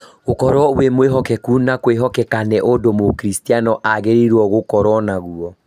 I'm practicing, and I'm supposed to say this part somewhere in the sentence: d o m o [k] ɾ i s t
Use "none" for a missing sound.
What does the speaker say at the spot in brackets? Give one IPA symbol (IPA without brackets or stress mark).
k